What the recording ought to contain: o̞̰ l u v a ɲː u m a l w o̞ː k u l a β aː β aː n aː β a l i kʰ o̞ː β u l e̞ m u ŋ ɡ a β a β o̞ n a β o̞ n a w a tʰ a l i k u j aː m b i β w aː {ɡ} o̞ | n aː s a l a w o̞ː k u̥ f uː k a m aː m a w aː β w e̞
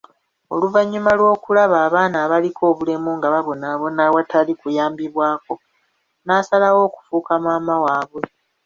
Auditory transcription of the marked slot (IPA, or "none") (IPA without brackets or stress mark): k